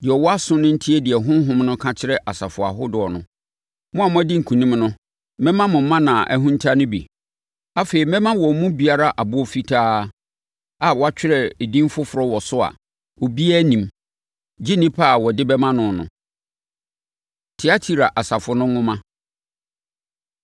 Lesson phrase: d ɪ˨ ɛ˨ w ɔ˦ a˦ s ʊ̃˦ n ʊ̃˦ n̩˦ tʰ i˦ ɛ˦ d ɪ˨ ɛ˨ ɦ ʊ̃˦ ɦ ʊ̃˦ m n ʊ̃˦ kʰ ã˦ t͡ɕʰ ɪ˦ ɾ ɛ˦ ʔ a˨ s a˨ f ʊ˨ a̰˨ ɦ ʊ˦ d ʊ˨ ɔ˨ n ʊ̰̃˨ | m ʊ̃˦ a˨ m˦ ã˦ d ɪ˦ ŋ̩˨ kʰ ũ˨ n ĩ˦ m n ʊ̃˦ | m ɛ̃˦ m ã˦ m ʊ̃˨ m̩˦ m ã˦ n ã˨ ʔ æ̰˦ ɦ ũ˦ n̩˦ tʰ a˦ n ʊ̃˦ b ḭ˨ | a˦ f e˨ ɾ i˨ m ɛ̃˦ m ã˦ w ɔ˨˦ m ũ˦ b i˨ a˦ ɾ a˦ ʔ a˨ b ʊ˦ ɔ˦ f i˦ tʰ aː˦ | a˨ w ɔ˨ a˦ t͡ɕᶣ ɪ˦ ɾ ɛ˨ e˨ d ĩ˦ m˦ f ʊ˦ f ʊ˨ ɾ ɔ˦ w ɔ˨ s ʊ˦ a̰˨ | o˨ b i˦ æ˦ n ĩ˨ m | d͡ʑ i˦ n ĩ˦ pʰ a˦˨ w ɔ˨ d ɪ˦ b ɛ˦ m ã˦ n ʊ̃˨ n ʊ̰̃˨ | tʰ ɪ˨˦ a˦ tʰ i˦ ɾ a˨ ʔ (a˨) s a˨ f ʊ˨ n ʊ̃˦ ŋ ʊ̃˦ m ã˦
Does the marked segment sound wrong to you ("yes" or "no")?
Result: no